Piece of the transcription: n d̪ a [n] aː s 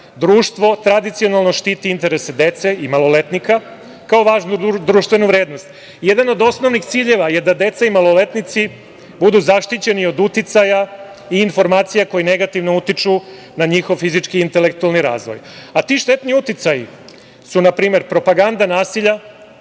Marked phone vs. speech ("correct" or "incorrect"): correct